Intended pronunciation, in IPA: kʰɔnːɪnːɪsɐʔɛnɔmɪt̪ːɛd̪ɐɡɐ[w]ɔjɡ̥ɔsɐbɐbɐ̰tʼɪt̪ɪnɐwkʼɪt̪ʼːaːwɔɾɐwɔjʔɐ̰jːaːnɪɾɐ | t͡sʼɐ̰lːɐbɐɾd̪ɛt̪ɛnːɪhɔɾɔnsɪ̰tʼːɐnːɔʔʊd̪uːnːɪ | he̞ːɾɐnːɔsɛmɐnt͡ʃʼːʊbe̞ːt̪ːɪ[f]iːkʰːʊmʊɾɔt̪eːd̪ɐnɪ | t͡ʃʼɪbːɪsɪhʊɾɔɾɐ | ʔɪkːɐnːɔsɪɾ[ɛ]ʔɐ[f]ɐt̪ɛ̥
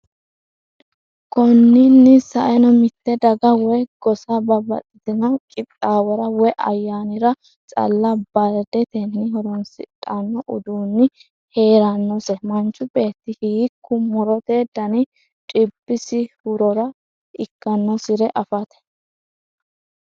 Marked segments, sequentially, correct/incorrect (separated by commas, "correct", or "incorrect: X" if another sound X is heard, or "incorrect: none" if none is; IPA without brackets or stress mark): correct, incorrect: h, correct, correct